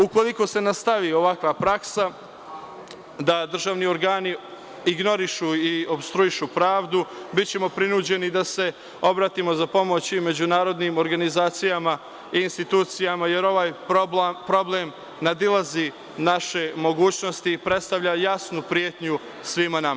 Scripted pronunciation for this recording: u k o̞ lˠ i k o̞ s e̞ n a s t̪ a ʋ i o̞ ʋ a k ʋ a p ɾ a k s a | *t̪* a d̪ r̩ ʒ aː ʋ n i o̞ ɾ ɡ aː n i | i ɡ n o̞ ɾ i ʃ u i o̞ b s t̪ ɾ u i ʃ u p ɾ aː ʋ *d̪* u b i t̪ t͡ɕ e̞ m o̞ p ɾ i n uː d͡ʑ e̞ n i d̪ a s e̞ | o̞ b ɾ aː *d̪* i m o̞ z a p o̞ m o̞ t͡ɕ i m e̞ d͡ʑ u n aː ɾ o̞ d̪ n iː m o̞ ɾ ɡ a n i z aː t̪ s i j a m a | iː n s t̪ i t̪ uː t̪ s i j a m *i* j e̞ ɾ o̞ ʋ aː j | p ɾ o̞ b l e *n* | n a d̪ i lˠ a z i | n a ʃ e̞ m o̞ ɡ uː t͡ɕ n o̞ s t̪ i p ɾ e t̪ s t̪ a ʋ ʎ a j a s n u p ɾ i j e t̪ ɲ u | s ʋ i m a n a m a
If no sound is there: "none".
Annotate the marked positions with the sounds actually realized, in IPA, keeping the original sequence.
d̪, d̪, t̪, a, m

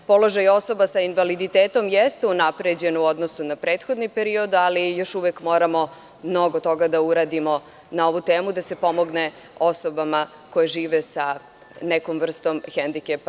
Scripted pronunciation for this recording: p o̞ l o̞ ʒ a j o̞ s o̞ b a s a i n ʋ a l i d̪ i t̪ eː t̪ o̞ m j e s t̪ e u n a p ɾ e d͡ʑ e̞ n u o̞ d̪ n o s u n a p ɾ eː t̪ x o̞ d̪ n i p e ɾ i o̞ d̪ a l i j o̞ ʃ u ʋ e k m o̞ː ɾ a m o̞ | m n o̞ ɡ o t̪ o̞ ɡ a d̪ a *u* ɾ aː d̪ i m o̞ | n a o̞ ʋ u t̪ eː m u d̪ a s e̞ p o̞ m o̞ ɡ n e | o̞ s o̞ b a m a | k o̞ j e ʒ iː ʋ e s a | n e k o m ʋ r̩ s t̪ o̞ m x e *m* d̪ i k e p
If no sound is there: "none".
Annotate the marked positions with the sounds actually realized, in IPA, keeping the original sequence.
u, n

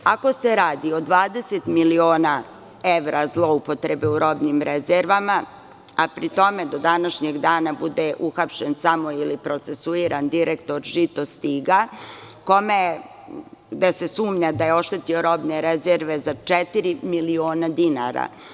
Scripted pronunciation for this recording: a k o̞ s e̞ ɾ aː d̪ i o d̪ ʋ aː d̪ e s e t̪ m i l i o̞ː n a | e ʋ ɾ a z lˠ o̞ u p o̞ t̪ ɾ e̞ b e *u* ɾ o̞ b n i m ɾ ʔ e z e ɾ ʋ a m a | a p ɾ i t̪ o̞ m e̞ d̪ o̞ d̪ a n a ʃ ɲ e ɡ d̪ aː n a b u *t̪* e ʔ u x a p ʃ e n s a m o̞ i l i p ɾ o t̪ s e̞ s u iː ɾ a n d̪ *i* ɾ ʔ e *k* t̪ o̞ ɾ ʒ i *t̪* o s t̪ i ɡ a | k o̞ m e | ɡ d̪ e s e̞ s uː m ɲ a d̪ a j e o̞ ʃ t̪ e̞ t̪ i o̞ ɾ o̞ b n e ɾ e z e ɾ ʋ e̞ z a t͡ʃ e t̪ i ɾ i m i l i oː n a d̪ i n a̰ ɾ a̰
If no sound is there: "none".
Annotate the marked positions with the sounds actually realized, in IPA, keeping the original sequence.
u, d̪, i, k, t̪

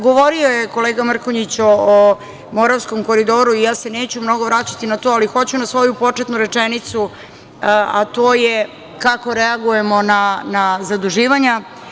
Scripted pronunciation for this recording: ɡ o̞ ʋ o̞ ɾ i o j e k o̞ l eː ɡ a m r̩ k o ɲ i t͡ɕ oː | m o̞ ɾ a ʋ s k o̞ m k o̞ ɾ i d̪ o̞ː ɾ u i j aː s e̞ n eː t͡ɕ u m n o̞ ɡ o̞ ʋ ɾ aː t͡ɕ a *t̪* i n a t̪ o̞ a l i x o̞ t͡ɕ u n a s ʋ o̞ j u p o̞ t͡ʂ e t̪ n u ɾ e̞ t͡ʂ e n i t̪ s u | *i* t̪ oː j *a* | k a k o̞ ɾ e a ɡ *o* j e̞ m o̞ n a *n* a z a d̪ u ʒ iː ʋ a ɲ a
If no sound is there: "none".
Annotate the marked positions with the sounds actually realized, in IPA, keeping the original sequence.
t̪, a, e, u, n

